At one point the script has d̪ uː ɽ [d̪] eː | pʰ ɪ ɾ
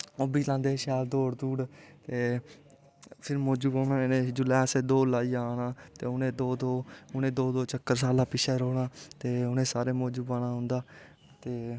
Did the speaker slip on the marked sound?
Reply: yes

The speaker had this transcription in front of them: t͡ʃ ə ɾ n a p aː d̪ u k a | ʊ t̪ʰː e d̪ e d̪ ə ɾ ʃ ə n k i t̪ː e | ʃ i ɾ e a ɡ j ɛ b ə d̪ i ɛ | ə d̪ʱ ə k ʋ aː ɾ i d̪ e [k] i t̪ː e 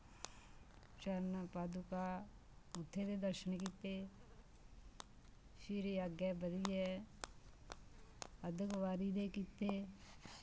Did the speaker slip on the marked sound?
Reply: no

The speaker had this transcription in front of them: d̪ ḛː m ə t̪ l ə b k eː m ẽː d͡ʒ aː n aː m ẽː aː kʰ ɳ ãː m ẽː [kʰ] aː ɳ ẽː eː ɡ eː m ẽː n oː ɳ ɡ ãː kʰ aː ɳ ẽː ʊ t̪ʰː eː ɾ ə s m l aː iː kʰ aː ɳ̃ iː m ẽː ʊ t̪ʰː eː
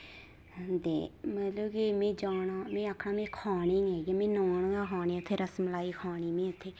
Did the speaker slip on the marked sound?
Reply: no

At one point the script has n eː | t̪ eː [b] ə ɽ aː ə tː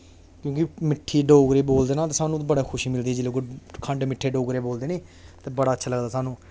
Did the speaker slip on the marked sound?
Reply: no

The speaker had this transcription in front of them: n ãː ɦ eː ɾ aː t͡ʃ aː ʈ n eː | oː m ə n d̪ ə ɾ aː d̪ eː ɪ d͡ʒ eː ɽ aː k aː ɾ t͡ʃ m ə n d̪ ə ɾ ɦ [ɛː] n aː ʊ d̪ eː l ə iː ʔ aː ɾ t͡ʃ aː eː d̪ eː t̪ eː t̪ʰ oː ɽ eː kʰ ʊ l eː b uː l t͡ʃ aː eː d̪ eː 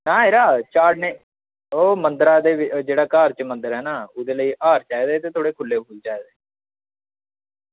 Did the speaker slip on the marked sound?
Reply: no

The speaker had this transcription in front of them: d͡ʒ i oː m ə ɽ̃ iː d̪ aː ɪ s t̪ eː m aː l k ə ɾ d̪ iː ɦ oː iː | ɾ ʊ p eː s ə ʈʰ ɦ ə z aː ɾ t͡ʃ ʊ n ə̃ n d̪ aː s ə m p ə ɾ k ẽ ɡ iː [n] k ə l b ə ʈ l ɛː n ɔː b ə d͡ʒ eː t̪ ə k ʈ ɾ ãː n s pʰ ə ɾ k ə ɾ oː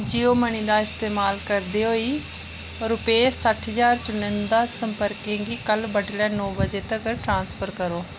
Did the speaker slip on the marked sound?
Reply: yes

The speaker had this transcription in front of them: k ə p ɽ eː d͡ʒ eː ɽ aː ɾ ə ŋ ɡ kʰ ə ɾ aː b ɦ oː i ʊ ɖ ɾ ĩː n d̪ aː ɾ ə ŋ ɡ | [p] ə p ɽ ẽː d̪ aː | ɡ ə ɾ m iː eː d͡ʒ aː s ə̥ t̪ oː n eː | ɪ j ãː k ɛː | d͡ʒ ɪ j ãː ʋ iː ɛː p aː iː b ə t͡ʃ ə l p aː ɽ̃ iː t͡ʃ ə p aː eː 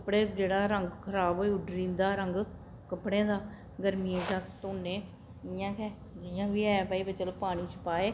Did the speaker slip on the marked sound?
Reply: yes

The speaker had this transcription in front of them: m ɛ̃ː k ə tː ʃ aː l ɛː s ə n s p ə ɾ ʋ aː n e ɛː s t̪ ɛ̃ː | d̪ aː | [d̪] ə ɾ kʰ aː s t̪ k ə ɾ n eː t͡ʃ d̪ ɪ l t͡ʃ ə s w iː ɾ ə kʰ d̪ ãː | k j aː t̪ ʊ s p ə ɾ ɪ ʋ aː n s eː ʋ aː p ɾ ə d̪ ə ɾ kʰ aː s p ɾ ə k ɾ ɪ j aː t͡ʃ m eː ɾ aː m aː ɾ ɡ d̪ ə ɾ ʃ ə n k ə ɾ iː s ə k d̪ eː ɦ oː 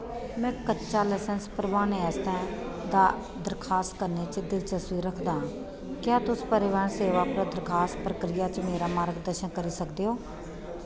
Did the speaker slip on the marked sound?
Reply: no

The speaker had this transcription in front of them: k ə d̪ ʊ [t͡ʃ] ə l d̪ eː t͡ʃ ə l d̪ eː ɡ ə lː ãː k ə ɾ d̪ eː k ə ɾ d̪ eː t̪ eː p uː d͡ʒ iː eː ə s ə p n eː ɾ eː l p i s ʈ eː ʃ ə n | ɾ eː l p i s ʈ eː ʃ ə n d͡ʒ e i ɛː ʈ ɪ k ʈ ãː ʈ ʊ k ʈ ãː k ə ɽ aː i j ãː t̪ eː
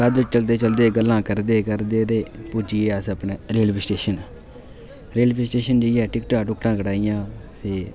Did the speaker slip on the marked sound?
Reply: no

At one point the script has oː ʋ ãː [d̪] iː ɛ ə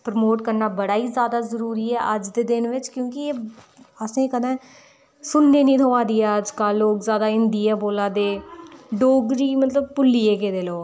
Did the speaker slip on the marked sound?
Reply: no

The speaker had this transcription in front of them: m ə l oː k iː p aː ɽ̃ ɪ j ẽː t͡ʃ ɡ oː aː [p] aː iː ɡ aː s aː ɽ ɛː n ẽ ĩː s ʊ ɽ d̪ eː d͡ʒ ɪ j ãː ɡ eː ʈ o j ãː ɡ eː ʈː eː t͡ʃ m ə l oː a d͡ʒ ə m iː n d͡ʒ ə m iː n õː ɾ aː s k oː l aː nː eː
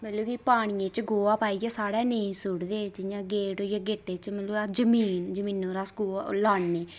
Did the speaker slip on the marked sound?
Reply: no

